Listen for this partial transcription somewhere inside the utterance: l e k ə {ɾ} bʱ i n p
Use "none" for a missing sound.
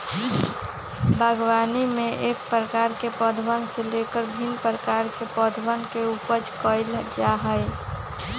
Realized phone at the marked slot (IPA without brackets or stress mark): ɾ